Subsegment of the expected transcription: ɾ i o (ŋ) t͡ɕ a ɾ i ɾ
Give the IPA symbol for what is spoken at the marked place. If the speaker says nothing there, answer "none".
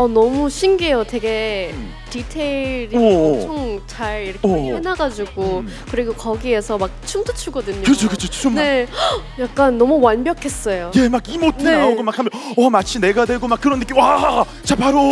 ŋ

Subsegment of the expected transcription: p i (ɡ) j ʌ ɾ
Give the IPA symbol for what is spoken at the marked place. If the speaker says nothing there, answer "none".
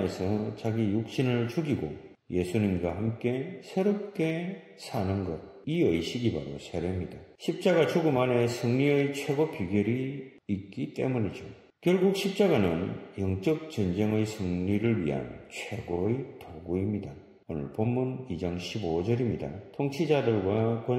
ɡ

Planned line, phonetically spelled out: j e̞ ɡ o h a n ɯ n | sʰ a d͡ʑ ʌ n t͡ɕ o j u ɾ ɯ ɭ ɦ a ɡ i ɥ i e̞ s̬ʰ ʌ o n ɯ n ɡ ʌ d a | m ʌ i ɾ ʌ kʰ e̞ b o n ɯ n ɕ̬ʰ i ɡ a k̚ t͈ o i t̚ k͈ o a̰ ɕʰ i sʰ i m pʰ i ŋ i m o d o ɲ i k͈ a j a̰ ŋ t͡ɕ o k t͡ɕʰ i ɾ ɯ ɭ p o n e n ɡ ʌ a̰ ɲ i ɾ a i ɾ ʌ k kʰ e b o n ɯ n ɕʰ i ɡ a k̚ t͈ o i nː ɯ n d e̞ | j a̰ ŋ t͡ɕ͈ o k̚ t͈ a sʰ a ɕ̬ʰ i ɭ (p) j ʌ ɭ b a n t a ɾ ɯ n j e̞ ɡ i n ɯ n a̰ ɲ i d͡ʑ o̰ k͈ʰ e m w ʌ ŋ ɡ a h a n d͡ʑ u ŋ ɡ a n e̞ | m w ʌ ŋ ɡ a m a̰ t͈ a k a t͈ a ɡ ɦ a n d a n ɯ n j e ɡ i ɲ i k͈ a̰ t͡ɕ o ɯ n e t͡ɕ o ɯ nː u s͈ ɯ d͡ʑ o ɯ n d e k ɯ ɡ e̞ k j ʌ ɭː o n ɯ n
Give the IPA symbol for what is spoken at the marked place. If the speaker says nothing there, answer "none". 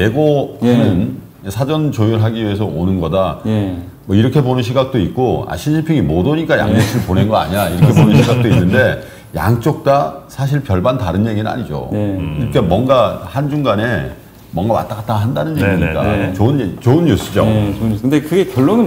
p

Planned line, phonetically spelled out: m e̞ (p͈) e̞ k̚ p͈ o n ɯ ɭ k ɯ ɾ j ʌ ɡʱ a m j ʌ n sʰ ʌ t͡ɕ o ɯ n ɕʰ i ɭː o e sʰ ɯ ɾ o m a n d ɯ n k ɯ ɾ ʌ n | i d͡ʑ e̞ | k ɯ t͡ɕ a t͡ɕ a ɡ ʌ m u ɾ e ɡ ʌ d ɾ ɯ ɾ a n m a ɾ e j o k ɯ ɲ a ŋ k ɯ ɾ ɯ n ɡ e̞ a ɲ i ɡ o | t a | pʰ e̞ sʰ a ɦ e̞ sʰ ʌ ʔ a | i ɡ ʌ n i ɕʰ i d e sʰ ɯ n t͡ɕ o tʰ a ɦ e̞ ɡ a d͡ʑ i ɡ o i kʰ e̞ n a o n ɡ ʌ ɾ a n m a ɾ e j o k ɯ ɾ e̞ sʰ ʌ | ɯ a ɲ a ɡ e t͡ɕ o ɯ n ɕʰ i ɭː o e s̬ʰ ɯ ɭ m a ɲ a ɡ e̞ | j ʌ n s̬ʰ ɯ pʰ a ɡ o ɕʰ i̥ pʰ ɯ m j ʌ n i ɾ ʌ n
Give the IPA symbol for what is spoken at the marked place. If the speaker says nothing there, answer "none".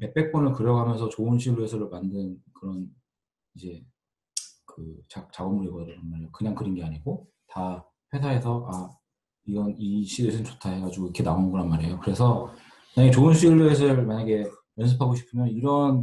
p͈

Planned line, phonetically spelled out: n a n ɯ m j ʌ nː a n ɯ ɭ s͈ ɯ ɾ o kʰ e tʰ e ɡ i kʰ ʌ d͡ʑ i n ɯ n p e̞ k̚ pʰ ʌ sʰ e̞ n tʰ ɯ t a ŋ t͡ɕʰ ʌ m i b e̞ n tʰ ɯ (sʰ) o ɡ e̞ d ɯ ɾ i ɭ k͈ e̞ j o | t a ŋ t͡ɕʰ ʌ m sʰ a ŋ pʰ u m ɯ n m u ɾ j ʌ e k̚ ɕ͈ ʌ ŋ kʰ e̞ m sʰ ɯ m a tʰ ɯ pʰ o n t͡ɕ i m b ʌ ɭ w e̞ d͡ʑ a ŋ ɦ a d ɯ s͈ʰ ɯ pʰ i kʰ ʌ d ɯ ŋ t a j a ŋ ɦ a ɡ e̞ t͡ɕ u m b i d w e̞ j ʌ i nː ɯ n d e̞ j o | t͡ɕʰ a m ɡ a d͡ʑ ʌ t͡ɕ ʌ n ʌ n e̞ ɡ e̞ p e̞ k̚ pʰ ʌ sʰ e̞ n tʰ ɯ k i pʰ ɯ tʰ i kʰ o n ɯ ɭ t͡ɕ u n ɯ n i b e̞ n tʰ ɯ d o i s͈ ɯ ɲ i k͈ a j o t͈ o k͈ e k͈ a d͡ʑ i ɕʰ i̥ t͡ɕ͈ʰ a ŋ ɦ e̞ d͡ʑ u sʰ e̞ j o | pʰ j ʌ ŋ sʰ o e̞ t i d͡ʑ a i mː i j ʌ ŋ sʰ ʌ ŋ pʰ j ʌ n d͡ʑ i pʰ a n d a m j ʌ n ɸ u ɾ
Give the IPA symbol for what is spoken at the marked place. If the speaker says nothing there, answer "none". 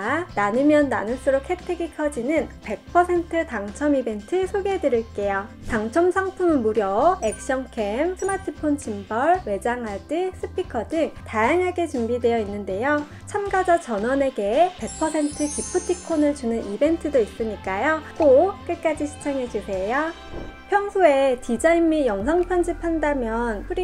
sʰ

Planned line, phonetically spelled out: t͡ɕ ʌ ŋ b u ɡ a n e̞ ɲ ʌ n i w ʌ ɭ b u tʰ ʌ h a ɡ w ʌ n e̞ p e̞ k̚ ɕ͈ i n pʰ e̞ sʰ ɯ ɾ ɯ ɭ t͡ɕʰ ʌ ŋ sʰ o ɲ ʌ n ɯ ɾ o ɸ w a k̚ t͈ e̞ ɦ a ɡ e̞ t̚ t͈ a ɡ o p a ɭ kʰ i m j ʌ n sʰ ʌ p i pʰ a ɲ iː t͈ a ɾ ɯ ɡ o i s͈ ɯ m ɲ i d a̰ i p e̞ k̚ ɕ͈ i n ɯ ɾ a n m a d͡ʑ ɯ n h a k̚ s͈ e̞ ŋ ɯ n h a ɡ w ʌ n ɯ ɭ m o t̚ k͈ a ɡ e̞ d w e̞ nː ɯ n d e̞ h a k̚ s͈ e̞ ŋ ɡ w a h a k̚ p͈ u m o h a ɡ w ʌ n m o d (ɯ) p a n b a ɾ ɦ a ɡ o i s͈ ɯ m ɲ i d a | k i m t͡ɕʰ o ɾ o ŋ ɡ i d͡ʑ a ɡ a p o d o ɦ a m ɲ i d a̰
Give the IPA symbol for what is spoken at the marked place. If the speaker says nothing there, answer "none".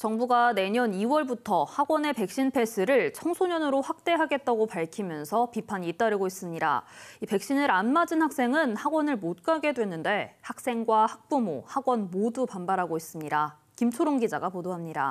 u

